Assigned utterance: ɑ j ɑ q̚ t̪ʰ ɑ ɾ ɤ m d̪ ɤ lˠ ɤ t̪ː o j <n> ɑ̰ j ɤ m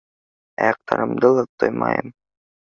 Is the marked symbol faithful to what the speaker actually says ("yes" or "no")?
no